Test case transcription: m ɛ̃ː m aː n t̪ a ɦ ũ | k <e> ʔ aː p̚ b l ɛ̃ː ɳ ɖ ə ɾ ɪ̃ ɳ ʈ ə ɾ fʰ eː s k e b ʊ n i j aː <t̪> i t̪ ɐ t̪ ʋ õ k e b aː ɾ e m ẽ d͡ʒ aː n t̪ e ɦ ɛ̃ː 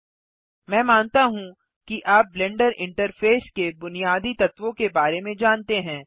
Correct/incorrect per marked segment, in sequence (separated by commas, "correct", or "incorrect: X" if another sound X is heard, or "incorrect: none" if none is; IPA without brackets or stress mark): incorrect: i, incorrect: d̪